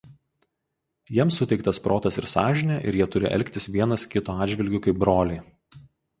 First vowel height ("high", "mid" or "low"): high